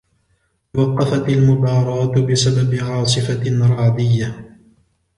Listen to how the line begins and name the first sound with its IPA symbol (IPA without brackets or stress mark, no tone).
w